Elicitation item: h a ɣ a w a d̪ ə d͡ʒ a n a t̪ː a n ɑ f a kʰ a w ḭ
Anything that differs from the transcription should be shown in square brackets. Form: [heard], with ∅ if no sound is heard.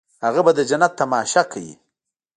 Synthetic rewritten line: h a ɣ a [b] a d̪ ə d͡ʒ a n a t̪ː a [m] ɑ [ʃ] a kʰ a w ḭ